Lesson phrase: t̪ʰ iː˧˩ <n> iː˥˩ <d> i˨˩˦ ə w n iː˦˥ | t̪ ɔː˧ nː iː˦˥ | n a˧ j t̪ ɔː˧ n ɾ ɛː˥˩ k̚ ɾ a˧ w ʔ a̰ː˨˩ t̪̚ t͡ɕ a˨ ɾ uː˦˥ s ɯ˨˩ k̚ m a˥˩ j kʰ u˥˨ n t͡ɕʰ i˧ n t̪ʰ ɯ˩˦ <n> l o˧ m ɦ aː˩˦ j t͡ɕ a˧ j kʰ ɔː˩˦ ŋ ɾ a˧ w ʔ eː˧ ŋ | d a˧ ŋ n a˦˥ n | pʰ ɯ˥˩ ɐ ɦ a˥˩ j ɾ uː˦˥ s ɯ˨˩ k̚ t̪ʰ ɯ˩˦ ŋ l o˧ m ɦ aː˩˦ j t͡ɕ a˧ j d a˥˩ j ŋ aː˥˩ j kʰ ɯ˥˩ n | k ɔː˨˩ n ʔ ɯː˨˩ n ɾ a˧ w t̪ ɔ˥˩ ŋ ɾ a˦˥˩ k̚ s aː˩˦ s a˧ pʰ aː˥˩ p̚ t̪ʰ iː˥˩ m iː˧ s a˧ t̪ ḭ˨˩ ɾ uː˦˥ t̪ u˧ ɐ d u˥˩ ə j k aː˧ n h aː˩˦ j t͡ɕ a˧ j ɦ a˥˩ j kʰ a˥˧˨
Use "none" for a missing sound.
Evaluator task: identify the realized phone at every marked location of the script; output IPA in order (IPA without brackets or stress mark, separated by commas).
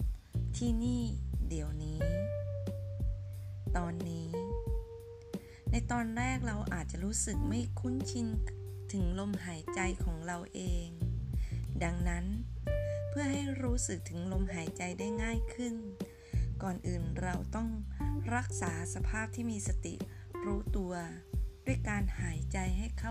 n, d, ŋ